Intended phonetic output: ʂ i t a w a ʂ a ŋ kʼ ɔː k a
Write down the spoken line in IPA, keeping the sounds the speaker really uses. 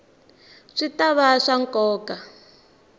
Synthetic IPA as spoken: ʂ i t a β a ʂ a ŋ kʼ ɔː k a

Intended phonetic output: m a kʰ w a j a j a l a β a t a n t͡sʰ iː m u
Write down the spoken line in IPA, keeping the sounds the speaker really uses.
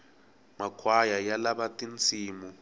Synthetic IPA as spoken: m a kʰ w a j a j a l a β a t i n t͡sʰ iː m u

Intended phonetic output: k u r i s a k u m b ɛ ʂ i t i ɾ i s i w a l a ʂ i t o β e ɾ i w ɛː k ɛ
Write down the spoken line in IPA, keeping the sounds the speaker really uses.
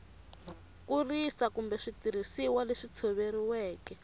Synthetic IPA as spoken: k u r i s a k u m b ɛ ʂ i t i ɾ i s i w a l e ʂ i t͡sʰ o β e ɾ i w ɛː k ɛ

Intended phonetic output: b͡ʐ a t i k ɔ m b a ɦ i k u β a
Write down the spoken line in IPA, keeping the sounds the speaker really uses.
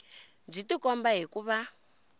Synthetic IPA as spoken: b͡ʐ i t i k ɔ m b a ɦ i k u β a

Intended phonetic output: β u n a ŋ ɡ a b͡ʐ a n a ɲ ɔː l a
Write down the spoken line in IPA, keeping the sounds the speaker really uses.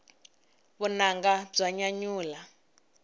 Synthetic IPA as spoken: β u n a ŋ ɡ a b͡ʐ a ɲ a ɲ uː l a

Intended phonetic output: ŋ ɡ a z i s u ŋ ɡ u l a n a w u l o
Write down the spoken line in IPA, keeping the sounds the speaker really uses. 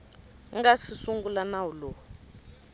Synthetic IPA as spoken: ŋ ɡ a s i s u ŋ ɡ u l a n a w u l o

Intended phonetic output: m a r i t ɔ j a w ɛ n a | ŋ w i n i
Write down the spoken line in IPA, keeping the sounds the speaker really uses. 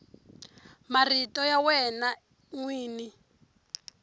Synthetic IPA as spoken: m a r i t ɔ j a w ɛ n a | ŋ w iː n i

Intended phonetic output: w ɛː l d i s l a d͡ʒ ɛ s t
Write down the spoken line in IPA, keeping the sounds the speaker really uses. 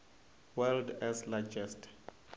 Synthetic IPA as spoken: w ɛ l d ɛ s l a d͡ʒ ɛ s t

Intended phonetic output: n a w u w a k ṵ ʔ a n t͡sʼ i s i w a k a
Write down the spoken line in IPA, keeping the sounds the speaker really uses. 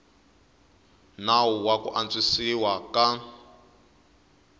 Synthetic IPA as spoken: n a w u w a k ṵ ʔ a n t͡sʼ i s i w a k a

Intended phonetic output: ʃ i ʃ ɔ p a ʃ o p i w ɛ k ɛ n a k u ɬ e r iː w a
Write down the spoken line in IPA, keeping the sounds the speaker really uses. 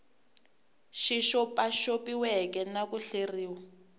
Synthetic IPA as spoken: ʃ i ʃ ɔ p a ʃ o p i w ɛ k ɛ n a k u ɬ e r iː w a

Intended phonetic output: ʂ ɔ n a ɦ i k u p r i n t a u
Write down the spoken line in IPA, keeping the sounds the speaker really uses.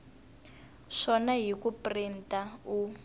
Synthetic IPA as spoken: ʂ ɔ n a ɦ i k u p r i n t a u

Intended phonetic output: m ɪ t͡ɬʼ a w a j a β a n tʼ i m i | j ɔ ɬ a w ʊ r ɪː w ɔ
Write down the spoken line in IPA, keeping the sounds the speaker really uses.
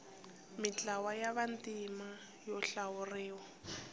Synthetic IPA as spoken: m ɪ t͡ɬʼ a w a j a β a n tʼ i m a | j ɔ ɬ a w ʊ r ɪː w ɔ

